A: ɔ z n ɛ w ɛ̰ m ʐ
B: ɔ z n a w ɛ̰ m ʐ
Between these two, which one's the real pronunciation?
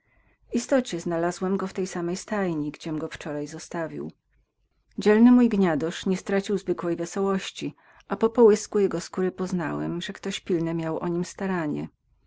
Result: B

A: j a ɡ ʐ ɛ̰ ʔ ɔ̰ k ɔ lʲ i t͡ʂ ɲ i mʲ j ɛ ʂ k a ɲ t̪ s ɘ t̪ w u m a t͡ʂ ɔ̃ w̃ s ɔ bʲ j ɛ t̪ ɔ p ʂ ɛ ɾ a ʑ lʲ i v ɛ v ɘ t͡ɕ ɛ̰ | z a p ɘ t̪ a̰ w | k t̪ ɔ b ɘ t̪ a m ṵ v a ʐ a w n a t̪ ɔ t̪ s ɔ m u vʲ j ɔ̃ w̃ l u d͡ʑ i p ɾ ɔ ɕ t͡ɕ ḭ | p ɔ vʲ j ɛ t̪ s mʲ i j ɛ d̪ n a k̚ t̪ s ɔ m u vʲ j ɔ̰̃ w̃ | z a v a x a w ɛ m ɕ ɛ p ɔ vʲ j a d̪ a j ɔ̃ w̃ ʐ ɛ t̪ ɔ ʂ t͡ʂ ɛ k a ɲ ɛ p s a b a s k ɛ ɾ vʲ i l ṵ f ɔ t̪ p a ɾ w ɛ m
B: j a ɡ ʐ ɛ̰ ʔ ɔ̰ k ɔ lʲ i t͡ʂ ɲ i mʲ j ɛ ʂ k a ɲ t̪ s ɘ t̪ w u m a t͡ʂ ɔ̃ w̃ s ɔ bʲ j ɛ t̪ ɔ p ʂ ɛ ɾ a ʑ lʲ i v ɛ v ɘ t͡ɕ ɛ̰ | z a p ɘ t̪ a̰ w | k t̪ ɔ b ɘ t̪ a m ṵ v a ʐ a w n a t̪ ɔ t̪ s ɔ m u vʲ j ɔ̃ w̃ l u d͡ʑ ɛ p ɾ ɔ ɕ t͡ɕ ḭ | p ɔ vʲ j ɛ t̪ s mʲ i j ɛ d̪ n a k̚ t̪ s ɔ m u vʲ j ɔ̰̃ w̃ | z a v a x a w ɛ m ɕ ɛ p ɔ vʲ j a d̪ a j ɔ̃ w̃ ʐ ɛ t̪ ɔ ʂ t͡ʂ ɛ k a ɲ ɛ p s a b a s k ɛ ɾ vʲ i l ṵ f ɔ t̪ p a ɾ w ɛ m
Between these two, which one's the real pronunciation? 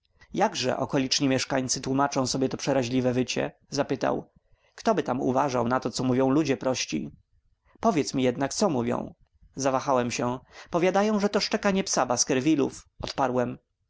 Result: B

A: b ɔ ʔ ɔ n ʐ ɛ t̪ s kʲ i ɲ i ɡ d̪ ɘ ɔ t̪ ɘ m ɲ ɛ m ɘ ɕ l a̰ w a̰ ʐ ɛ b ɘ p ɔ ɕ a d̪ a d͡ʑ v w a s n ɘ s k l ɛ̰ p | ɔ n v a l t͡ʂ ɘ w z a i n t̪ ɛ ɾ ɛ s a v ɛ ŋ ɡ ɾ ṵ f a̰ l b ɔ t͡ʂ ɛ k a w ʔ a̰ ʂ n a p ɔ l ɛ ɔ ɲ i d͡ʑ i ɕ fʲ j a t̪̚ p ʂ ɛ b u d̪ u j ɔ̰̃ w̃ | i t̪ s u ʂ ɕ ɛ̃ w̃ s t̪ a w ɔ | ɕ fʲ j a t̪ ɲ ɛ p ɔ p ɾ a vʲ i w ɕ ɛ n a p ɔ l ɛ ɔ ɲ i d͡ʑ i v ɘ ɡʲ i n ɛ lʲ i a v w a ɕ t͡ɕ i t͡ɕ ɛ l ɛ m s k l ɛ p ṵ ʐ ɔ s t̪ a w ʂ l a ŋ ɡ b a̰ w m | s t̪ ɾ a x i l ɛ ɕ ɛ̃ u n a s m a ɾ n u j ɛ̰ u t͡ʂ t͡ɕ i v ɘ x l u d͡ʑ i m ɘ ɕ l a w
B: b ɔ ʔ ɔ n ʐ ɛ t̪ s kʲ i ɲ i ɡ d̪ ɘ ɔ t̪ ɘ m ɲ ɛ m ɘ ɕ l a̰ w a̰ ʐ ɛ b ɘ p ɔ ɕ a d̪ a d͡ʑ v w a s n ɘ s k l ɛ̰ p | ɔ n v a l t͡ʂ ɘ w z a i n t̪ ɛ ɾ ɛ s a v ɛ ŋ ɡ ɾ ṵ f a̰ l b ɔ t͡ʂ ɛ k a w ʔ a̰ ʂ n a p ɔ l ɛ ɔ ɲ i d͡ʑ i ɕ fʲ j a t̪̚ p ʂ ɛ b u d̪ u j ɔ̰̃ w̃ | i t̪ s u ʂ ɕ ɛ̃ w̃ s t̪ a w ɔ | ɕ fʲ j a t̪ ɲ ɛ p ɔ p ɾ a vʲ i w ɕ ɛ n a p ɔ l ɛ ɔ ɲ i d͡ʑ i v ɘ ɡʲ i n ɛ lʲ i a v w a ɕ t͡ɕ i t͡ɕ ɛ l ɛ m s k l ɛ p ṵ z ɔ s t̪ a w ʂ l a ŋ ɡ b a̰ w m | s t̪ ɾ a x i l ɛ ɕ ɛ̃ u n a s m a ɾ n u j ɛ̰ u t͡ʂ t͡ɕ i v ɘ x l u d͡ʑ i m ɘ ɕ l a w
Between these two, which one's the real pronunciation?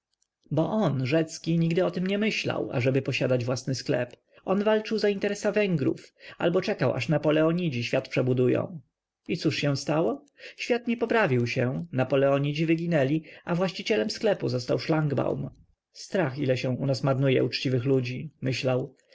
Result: B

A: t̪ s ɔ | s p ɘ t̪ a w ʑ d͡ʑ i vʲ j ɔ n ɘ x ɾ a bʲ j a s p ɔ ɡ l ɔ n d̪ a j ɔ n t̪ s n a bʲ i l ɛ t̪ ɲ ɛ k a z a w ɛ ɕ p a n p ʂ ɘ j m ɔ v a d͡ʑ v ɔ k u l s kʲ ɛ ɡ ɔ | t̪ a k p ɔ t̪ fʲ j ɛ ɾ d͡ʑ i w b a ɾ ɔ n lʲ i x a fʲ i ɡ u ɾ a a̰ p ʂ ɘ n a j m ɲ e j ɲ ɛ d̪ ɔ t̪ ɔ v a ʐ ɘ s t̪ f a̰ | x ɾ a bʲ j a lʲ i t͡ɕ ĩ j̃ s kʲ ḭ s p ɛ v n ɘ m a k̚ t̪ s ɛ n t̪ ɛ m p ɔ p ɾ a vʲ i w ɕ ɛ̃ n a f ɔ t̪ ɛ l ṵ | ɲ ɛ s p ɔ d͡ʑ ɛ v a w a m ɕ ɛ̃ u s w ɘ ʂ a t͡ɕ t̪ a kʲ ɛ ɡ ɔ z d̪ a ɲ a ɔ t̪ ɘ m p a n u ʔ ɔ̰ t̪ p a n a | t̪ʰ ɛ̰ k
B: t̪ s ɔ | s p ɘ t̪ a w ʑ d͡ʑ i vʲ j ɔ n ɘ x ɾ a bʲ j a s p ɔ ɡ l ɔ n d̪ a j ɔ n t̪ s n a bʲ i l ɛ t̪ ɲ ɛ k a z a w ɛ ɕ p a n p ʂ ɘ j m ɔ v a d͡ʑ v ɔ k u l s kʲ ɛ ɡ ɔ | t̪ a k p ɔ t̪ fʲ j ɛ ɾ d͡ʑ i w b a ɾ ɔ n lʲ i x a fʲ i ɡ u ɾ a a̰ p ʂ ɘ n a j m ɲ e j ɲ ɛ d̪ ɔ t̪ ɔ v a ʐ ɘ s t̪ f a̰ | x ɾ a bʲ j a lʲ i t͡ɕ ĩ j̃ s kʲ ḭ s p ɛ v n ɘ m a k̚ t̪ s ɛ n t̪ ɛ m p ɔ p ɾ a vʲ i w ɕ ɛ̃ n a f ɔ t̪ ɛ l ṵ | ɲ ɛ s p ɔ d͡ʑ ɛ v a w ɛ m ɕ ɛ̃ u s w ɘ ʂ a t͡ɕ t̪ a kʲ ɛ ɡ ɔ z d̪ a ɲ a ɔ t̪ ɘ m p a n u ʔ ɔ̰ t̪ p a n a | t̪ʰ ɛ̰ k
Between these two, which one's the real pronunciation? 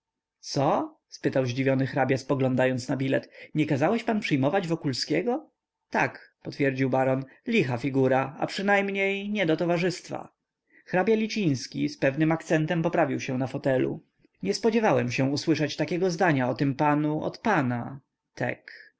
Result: B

